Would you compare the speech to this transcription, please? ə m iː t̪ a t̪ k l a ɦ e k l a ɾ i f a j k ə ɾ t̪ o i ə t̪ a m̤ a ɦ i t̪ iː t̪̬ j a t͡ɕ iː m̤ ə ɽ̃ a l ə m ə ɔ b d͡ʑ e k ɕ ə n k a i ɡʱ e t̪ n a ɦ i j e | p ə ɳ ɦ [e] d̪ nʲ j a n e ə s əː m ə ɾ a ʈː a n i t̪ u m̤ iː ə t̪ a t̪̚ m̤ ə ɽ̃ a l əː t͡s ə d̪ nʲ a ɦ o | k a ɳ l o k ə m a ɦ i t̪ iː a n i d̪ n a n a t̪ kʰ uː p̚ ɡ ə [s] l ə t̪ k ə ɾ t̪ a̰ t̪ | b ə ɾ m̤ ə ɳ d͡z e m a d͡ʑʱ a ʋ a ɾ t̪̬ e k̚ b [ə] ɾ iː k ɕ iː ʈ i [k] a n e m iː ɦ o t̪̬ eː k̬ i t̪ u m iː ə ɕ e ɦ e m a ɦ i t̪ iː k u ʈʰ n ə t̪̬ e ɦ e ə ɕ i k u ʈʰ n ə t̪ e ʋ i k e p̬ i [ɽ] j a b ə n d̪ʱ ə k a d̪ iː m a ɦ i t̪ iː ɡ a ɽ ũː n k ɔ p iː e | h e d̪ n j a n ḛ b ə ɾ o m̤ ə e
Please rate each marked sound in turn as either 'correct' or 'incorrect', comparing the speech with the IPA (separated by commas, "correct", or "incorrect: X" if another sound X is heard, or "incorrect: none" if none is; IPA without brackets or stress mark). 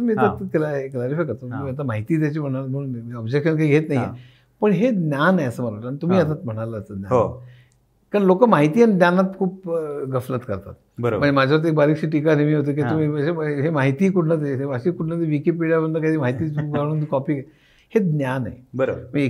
correct, incorrect: f, incorrect: a, correct, correct